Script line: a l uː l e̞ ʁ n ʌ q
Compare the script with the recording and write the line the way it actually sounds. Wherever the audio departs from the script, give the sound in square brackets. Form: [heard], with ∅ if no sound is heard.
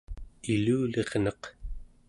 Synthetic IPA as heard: [i] l uː l e̞ ʁ n ʌ q